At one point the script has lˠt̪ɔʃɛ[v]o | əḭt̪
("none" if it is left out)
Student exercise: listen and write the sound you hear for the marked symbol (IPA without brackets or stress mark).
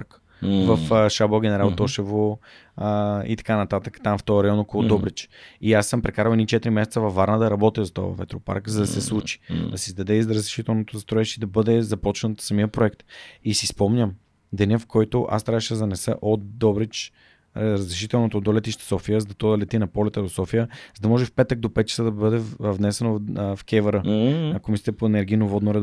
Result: v